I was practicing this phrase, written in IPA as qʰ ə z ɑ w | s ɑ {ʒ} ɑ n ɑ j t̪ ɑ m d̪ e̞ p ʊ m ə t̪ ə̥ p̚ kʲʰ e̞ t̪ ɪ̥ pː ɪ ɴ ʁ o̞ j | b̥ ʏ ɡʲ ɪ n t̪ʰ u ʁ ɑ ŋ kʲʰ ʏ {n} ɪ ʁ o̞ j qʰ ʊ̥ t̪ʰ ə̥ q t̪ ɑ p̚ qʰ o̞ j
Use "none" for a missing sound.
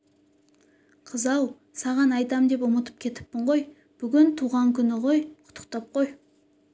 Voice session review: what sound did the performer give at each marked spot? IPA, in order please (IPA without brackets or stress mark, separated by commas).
ʁ, n